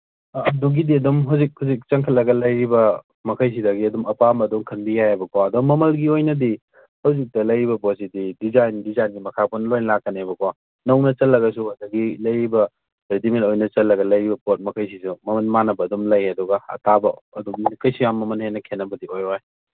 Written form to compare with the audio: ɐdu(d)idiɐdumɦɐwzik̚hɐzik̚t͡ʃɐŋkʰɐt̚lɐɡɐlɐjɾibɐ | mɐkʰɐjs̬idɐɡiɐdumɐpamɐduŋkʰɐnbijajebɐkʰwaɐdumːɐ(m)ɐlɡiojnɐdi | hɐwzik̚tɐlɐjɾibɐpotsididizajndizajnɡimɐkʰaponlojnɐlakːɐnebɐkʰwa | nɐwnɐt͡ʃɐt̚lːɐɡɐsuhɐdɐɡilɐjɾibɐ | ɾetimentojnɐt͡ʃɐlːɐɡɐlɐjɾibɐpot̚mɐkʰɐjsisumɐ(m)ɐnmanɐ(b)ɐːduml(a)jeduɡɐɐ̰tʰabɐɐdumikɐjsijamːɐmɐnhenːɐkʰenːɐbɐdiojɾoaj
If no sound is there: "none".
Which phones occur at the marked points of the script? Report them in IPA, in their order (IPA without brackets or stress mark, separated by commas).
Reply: ɡ, m, m, b, ɐ